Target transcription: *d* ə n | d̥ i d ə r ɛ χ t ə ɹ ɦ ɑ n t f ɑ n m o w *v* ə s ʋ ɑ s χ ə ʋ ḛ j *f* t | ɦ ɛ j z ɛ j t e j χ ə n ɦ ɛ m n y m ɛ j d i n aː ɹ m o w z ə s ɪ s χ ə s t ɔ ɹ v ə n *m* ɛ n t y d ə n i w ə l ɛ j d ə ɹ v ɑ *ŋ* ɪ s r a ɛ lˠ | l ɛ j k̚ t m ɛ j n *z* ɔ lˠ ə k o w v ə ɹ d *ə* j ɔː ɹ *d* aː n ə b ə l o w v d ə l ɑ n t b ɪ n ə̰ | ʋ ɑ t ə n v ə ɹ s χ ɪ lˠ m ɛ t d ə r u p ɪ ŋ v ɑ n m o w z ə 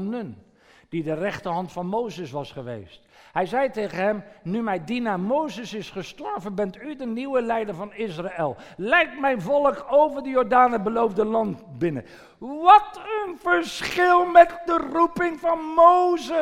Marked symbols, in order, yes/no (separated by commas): no, no, no, no, no, no, yes, yes